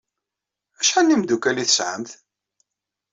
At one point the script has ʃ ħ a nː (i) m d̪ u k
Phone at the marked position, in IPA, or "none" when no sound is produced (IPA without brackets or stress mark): i